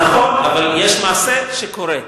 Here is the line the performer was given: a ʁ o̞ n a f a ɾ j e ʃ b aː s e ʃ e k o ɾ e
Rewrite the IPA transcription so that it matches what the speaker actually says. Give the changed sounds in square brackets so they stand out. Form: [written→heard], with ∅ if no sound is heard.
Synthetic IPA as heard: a [ʁ→χ] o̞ n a [f→v] a [ɾ→l] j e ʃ [b→m] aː s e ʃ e k o ɾ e